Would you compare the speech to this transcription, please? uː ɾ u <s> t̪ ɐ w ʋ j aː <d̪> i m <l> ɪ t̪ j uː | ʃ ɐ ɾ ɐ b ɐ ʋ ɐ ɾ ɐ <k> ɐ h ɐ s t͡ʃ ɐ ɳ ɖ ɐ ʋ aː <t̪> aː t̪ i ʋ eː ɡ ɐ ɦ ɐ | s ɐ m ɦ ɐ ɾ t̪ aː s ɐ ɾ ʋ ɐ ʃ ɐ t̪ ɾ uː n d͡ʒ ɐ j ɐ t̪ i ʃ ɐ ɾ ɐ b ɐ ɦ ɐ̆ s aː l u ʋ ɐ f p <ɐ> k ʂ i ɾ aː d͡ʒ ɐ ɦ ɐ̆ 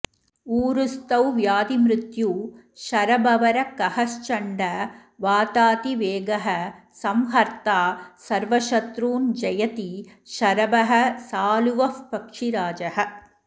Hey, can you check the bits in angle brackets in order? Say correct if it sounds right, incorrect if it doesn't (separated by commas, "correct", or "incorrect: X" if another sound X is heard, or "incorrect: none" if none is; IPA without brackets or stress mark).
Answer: correct, correct, incorrect: ɾ, correct, correct, correct